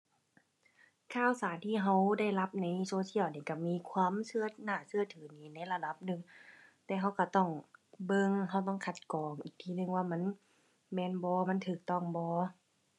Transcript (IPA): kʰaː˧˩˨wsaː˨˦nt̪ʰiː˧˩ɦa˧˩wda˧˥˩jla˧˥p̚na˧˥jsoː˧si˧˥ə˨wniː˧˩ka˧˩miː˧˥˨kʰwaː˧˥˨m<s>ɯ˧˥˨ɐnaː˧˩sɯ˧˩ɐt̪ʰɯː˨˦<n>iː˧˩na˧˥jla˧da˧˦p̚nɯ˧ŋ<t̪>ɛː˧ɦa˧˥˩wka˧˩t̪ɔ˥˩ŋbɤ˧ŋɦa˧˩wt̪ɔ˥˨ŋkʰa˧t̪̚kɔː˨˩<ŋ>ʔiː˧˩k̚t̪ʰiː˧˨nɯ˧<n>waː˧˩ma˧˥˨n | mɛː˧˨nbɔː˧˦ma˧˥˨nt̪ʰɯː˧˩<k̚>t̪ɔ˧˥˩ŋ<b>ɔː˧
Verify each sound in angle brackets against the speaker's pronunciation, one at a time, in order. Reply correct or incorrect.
correct, correct, correct, correct, incorrect: ŋ, correct, correct

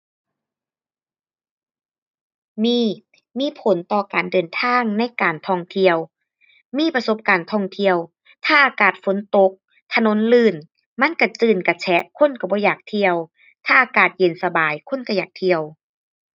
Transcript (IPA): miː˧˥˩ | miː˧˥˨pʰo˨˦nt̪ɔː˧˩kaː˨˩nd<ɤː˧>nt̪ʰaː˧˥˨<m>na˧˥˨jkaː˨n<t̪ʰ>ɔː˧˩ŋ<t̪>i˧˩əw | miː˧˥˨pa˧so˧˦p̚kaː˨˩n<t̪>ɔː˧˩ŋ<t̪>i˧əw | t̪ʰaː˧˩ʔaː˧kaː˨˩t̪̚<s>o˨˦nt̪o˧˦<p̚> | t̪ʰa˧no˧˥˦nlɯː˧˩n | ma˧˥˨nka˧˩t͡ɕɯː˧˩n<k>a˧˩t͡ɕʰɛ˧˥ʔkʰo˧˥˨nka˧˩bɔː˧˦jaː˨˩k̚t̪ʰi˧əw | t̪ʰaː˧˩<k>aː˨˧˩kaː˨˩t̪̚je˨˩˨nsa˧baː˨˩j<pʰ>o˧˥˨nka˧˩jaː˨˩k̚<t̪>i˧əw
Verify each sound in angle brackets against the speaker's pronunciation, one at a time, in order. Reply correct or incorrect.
incorrect: ɤː˨˩, incorrect: ŋ, correct, incorrect: t̪ʰ, incorrect: t̪ʰ, incorrect: t̪ʰ, incorrect: f, incorrect: k̚, correct, incorrect: ʔ, incorrect: kʰ, incorrect: t̪ʰ

